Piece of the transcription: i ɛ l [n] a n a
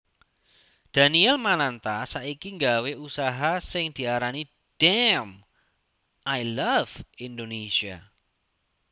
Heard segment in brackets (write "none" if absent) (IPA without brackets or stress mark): m